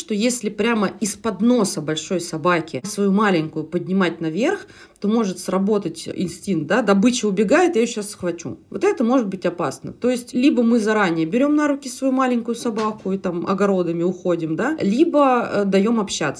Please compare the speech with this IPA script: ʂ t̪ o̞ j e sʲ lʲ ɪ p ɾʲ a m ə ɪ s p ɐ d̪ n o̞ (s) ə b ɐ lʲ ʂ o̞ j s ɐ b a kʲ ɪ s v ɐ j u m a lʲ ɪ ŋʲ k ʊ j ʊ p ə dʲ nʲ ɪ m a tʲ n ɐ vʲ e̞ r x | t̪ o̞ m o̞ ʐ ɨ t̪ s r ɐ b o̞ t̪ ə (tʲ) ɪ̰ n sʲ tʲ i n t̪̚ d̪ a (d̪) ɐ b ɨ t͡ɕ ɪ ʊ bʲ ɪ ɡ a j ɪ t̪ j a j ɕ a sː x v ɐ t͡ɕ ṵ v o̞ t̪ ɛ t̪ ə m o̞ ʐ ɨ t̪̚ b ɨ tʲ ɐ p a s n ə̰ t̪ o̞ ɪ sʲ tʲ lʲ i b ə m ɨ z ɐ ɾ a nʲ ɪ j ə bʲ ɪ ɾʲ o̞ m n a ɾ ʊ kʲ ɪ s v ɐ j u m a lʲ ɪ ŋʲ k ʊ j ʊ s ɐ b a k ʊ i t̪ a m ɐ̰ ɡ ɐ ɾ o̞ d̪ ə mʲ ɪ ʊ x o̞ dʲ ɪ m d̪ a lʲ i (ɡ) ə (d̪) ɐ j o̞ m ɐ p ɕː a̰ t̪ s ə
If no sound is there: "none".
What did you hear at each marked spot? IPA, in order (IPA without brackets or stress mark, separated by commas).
s, tʲ, d̪, b, d̪